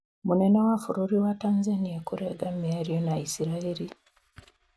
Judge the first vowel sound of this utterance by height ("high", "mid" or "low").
high